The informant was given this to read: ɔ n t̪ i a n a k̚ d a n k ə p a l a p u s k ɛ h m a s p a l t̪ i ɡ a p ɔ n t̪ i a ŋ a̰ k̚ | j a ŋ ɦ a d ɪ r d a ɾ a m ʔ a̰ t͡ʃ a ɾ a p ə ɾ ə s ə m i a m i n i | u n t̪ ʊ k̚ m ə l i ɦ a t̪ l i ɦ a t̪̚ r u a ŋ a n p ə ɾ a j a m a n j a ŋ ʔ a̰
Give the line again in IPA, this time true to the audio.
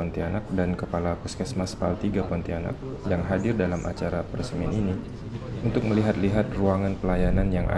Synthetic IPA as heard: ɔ n t̪ i a n a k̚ d a n k ə p a l a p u s k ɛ s m a s p a l t̪ i ɡ a p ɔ n t̪ i a n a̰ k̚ | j a ŋ ɦ a d ɪ r d a l a m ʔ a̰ t͡ʃ a ɾ a p ə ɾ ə s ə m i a n i n i | u n t̪ ʊ k̚ m ə l i ɦ a t̪ l i ɦ a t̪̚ r u a ŋ a n p ə l a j a n a n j a ŋ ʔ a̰